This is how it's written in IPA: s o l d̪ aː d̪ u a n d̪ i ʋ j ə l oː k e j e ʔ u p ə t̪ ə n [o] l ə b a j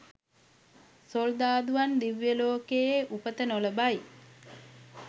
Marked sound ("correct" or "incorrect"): correct